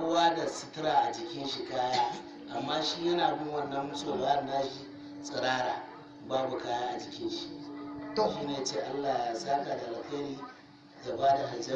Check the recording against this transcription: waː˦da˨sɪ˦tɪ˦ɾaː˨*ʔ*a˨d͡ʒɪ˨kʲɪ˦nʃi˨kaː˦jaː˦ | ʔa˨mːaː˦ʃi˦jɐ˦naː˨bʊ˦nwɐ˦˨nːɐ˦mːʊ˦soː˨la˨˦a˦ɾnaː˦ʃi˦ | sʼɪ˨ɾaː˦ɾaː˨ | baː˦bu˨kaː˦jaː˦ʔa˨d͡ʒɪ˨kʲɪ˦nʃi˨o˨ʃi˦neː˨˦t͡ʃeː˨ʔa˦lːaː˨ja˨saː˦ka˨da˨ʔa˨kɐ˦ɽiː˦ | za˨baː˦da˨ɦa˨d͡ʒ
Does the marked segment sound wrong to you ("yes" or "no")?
no